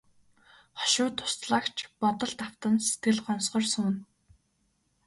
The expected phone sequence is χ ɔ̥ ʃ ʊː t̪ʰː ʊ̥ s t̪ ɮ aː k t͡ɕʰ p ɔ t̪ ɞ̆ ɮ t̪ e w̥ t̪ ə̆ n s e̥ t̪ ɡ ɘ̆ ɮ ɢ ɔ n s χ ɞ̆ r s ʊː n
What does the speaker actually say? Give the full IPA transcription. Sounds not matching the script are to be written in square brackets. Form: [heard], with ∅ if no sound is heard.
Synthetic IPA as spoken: χ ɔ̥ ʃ ʊː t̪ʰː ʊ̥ s t̪ ɮ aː k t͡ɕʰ p ɔ t̪ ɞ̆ ɮ t̪ [a] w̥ t̪ ə̆ n s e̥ t̪ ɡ ɘ̆ ɮ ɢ ɔ n s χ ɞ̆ r s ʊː n